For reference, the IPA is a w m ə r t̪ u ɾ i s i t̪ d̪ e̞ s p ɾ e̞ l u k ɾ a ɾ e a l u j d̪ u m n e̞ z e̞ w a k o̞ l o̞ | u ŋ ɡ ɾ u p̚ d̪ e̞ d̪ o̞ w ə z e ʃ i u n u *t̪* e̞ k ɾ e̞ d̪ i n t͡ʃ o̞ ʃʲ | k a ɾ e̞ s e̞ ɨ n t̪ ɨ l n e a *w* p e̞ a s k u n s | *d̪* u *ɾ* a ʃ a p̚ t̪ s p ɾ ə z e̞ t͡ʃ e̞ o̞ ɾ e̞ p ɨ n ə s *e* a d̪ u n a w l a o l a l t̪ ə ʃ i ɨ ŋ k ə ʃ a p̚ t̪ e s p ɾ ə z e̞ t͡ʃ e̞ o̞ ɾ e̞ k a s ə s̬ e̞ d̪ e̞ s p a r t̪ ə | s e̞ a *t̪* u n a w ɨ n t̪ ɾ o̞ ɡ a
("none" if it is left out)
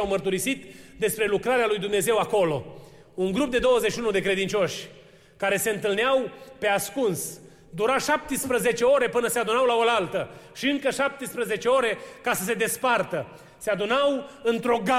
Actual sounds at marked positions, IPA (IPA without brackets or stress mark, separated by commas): d̪, w, d̪, ɾ, e, d̪